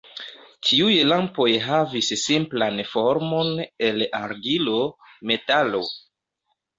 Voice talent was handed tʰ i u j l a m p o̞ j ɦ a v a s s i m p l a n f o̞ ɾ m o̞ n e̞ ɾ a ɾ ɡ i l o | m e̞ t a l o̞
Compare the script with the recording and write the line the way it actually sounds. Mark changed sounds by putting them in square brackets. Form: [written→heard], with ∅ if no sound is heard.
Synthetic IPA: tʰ i u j l a m p o̞ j ɦ a v [a→i] s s i m p l a n f o̞ ɾ m o̞ n e̞ [ɾ→l] a ɾ ɡ i l o | m e̞ t a l o̞